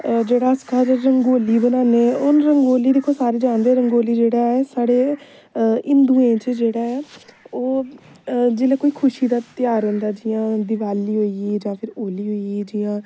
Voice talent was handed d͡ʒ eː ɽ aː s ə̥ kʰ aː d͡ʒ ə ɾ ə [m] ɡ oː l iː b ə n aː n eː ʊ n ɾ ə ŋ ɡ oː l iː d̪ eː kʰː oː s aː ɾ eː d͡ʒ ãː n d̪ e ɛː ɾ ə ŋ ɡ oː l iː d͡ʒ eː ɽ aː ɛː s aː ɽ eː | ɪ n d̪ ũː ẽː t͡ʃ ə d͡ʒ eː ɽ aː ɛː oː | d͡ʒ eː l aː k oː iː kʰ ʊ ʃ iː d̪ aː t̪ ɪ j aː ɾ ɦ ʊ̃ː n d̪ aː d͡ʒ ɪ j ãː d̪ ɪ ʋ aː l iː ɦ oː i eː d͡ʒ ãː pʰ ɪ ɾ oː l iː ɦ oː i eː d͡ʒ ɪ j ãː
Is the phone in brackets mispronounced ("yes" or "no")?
yes